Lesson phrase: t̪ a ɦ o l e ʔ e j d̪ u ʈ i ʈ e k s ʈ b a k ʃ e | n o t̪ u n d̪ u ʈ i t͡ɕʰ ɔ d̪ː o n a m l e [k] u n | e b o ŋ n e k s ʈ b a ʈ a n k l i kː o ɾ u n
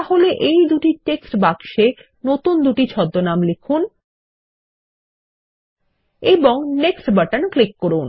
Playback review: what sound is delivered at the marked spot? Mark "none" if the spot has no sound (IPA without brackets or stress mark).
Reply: kʰ